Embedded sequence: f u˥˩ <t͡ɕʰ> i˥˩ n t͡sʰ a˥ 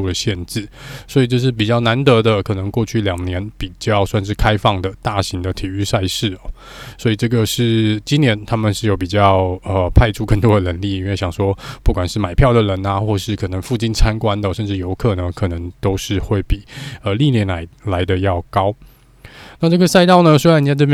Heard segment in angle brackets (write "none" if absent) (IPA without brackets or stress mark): t͡ɕ